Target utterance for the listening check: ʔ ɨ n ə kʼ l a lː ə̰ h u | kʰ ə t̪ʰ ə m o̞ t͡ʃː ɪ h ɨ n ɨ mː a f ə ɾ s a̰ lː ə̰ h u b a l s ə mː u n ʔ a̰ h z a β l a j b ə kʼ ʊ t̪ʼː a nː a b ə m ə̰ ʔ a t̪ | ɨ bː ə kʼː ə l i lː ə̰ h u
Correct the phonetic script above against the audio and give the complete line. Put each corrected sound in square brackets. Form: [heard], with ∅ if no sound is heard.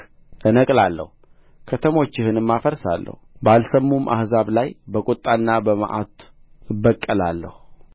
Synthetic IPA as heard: ʔ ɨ n ə kʼ l a lː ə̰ h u | kʰ ə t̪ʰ ə m o̞ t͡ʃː ɪ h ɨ n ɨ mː a f ə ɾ s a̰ lː ə̰ h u b a l s ə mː u [m] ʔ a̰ h z a β l a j b ə kʼ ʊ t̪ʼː a nː a b ə m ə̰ ʔ a t̪ | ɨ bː ə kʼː ə l [a] lː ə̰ h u

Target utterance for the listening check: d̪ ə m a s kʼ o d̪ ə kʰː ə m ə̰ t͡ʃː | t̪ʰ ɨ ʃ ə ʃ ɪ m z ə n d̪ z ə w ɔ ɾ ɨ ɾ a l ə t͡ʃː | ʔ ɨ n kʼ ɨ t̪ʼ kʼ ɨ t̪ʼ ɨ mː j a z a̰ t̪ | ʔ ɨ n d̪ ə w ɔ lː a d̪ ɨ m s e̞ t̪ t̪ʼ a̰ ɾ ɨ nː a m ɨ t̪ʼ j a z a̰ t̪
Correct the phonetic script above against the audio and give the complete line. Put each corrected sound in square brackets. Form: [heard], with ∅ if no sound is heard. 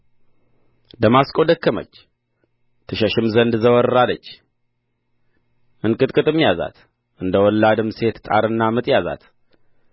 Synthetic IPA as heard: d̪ ə m a s kʼ o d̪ ə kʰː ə m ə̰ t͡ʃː | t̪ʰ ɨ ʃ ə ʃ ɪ m z ə n d̪ z ə w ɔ ɾ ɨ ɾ a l ə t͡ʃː | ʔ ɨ n kʼ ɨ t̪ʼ kʼ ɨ t̪ʼ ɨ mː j a z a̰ t̪ | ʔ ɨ n d̪ ə w ɔ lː a d̪ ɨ m s e̞ t̪ t̪ʼ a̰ ɾ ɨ nː a m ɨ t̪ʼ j a z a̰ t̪

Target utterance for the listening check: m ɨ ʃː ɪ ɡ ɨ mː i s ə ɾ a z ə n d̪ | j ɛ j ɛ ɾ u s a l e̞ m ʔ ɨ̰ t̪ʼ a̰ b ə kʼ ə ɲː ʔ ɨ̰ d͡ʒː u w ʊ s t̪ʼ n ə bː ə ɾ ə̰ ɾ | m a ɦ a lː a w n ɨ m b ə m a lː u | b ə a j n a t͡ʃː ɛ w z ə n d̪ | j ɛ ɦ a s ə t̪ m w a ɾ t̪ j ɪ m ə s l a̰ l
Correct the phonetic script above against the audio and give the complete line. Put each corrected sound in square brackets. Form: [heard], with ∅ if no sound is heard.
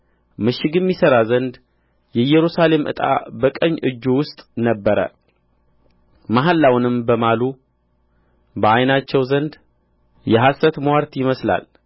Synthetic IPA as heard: m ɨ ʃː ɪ ɡ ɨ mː i s ə ɾ a z ə n d̪ | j ɛ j ɛ ɾ u s a l e̞ m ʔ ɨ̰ t̪ʼ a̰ b ə kʼ ə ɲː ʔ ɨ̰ d͡ʒː u w ʊ s t̪ʼ n ə bː ə ɾ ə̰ [∅] | m a ɦ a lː a w n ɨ m b ə m a [l] u | b ə a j n a t͡ʃː ɛ w z ə n d̪ | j ɛ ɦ a s ə t̪ m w a ɾ t̪ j ɪ m ə s l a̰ l

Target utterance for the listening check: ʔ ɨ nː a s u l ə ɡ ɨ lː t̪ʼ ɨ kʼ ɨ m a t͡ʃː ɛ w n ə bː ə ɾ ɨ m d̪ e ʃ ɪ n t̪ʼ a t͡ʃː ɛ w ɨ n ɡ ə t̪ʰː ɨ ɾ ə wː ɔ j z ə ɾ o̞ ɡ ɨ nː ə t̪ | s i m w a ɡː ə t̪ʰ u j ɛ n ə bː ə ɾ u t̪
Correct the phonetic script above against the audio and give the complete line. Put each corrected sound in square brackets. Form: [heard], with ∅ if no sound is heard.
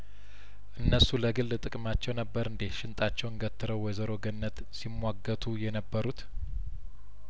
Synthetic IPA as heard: ʔ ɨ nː [ə] s u l ə ɡ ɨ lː t̪ʼ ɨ kʼ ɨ m a t͡ʃː ɛ w n ə bː ə ɾ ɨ [n] d̪ e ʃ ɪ n t̪ʼ a t͡ʃː ɛ w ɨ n ɡ ə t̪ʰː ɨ ɾ ə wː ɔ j z ə ɾ o̞ ɡ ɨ nː ə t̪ | s i m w a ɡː ə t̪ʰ u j ɛ n ə bː ə ɾ u t̪

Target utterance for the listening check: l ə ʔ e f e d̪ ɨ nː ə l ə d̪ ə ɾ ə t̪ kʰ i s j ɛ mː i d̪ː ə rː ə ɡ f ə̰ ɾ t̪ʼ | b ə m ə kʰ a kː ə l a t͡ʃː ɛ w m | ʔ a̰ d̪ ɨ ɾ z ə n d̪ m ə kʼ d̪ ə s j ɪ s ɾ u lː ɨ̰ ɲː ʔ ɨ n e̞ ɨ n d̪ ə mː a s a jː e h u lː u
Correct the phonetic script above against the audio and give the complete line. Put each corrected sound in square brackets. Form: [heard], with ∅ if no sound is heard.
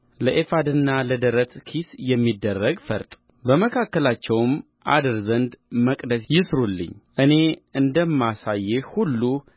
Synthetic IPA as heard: l ə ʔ e f [a] d̪ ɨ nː [a] l ə d̪ ə ɾ ə t̪ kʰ i s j ɛ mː i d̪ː ə rː ə ɡ f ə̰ ɾ t̪ʼ | b ə m ə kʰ a kː ə l a t͡ʃː ɛ w m | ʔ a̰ d̪ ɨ ɾ z ə n d̪ m ə kʼ d̪ ə s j ɪ s ɾ u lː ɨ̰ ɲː ʔ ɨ n e̞ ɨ n d̪ ə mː a s a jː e h u lː u

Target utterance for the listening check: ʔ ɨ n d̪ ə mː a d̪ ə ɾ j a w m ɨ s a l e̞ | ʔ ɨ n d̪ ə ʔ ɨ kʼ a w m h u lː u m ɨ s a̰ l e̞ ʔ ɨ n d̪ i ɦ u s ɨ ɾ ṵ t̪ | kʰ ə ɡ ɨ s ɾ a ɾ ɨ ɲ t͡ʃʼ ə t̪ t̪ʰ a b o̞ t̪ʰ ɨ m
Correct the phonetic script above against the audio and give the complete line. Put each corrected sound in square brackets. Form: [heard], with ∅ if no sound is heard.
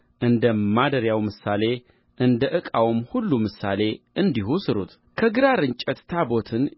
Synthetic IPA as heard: ʔ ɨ n d̪ ə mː a d̪ ə ɾ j a w m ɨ s a l e̞ | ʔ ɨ n d̪ ə ʔ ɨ kʼ a w m h u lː u m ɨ s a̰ l e̞ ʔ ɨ n d̪ i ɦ u s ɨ ɾ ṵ t̪ | kʰ ə ɡ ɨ [∅] ɾ a ɾ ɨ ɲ t͡ʃʼ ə t̪ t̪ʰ a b o̞ t̪ʰ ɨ [n]

